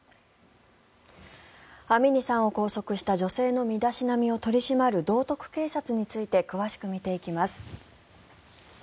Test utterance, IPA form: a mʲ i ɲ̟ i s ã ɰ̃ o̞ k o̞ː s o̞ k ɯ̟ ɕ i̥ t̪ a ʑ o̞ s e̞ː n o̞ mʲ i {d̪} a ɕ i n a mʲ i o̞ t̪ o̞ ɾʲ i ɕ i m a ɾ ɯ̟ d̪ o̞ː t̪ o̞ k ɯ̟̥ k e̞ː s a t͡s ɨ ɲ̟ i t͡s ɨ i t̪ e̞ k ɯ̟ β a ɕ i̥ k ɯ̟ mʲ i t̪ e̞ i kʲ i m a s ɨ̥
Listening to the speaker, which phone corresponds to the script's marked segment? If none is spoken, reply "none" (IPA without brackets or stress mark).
d̪